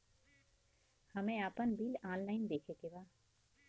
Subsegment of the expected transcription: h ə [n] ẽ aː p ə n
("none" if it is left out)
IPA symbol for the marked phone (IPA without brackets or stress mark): m